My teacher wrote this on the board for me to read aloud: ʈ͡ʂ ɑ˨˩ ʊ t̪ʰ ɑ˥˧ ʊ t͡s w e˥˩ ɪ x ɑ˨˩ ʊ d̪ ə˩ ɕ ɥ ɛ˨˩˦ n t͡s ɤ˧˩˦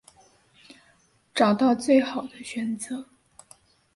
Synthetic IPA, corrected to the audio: ʈ͡ʂ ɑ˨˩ ʊ t̪ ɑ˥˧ ʊ t͡s w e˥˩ ɪ x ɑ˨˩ ʊ d̪ ə˦ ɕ ɥ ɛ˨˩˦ n t͡s ɤ˧˩˦